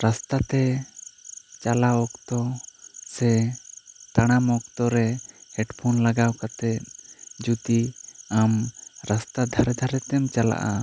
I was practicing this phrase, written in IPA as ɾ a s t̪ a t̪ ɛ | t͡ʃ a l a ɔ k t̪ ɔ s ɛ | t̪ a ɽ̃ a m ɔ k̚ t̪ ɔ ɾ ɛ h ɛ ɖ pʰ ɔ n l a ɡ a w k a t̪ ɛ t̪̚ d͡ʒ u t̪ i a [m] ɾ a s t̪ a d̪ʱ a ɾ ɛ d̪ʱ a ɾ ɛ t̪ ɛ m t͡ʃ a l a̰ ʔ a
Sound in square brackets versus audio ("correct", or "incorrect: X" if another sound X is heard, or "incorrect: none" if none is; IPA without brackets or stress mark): correct